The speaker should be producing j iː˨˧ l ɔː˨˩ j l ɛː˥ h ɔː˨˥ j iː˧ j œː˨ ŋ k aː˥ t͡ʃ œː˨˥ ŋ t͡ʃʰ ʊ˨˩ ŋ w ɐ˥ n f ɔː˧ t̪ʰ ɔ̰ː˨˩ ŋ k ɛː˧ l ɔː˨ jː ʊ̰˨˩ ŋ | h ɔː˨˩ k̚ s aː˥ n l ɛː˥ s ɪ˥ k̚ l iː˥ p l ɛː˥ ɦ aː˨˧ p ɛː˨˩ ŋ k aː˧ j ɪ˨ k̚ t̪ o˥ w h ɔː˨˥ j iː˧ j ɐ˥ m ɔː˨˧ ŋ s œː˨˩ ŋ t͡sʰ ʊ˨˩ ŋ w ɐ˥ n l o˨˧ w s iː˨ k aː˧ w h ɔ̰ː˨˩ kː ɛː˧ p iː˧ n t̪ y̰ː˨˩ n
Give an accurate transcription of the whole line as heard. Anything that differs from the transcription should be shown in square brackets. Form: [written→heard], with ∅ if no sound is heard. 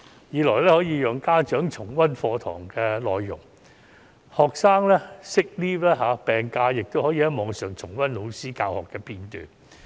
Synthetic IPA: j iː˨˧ l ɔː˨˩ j l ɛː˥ h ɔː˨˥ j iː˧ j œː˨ ŋ k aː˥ t͡ʃ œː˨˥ ŋ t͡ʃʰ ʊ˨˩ ŋ w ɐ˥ n f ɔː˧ t̪ʰ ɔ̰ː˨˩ ŋ k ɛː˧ l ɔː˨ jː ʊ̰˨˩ ŋ | h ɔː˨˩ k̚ s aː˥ [n→ŋ] l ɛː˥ s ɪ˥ k̚ l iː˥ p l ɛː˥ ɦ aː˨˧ p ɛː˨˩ ŋ k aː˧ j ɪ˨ k̚ t̪ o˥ w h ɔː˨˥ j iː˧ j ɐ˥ m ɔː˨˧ ŋ s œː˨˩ ŋ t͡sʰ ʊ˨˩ ŋ w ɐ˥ n l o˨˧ w s [iː˨→iː˥] k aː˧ w h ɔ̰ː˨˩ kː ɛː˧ p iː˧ n t̪ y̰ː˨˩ n